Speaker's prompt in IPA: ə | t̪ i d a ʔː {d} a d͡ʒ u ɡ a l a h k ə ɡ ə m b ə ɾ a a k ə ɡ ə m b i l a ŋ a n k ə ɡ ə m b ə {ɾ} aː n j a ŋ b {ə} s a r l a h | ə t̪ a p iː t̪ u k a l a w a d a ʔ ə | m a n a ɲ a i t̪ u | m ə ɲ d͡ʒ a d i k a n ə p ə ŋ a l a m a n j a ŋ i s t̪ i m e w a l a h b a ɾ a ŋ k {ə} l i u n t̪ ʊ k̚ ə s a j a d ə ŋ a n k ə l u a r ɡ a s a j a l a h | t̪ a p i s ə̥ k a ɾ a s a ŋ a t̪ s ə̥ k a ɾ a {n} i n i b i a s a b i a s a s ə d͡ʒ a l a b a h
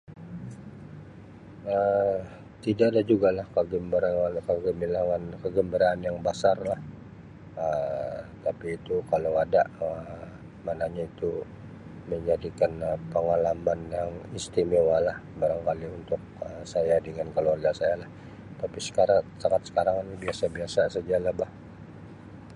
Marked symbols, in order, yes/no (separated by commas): yes, yes, no, no, no